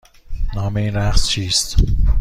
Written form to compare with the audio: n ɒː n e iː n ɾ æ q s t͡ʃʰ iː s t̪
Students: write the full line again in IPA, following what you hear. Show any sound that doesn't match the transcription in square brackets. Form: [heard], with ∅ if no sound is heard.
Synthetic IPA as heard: n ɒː [m] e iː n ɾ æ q s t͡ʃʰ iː s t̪